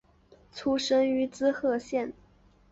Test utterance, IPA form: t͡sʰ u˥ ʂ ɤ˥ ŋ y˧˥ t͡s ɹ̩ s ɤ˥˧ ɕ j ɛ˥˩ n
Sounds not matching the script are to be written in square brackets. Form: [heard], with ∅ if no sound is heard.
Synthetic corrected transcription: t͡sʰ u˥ ʂ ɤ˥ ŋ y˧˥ t͡s ɹ̩ [x] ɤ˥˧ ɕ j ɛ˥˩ n

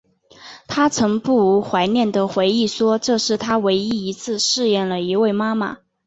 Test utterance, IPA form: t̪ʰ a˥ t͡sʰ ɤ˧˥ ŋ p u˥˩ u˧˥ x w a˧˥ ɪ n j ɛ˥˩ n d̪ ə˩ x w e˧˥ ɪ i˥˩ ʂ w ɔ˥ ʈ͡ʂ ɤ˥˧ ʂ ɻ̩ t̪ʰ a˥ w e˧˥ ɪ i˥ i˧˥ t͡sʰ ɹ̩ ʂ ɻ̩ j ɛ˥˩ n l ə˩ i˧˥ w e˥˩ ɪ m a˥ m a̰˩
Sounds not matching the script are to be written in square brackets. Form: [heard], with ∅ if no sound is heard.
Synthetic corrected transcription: t̪ʰ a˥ t͡sʰ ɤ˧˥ ŋ p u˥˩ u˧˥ x w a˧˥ ɪ n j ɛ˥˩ n d̪ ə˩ x w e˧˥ ɪ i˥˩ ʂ w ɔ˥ ʈ͡ʂ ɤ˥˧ ʂ ɻ̩ t̪ʰ a˥ w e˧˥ ɪ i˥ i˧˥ t͡sʰ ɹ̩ ʂ ɻ̩ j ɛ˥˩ n l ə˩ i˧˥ w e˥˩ ɪ m a˥ m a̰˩

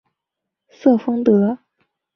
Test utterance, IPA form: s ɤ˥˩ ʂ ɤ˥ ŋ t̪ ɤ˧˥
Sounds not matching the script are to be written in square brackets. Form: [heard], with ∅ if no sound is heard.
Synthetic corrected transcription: s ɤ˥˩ [f] ɤ˥ ŋ t̪ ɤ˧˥

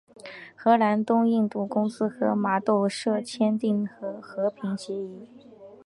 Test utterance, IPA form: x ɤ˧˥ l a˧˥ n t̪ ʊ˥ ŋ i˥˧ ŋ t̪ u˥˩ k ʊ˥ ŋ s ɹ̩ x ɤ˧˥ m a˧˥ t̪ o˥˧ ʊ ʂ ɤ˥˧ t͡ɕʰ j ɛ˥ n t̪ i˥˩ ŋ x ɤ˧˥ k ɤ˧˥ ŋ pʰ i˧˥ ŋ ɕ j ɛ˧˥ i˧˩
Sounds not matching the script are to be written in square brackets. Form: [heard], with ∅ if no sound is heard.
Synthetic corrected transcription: x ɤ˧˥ l a˧˥ n t̪ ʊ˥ ŋ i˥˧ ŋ t̪ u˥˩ k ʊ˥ ŋ s ɹ̩ x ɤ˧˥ m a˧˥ t̪ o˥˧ ʊ ʂ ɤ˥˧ t͡ɕʰ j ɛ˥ n t̪ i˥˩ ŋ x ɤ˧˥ [x] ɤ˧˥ [∅] pʰ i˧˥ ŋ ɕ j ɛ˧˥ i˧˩

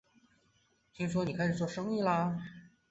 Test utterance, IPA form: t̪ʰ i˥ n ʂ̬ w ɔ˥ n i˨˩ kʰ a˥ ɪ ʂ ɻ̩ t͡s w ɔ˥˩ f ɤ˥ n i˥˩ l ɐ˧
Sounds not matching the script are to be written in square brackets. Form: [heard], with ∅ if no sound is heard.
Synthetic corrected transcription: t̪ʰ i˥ [ŋ] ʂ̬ w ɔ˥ n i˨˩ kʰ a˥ ɪ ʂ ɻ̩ t͡s w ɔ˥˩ [ʂ] ɤ˥ [ŋ] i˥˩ l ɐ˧

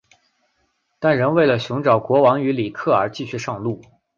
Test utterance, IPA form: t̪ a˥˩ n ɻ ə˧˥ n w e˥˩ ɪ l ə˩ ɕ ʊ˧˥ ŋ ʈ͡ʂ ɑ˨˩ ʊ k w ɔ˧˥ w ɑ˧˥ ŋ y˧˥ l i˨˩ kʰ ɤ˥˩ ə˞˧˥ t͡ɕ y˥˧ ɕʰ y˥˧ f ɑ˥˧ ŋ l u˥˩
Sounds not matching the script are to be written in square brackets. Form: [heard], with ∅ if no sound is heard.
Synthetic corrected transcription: t̪ a˥˩ n ɻ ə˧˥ n w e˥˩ ɪ l ə˩ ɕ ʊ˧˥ ŋ ʈ͡ʂ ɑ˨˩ ʊ k w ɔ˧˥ w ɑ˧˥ ŋ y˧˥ l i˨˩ kʰ ɤ˥˩ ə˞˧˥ t͡ɕ [i˥˧] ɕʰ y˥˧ [ʂ] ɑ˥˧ ŋ l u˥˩

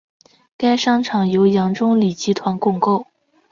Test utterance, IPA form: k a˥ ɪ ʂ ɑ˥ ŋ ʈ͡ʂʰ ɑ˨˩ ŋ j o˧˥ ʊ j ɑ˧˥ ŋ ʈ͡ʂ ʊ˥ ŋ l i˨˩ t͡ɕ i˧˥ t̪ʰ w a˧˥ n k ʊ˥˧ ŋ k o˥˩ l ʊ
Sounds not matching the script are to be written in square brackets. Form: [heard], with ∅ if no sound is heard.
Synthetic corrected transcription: k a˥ ɪ ʂ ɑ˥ ŋ ʈ͡ʂʰ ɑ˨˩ ŋ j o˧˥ ʊ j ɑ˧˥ ŋ ʈ͡ʂ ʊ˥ ŋ l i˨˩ t͡ɕ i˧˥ t̪ʰ w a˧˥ n k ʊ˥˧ ŋ k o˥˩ [∅] ʊ

